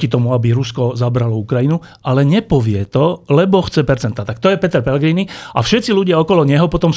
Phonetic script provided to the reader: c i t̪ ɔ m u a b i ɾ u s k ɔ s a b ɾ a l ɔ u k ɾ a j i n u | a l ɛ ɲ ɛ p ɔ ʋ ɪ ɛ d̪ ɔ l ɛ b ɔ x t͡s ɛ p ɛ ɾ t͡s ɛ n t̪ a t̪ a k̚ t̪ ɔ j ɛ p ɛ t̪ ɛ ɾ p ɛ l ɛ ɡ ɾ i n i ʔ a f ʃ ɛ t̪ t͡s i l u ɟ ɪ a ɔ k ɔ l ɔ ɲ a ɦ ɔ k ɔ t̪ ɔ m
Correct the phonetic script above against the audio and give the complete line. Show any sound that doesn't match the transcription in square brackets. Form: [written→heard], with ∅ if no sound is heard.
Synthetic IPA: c i t̪ ɔ m u a b i ɾ u s k ɔ [s→z] a b ɾ a l ɔ u k ɾ a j i n u | a l ɛ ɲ ɛ p ɔ ʋ ɪ ɛ [d̪→t̪] ɔ l ɛ b ɔ x t͡s ɛ p ɛ ɾ t͡s ɛ n t̪ a t̪ a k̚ t̪ ɔ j ɛ p ɛ t̪ ɛ ɾ p ɛ l ɛ ɡ ɾ i n i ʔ a f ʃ ɛ t̪ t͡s i l u ɟ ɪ a ɔ k ɔ l ɔ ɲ [a→ɛ] ɦ ɔ [k→p] ɔ t̪ ɔ m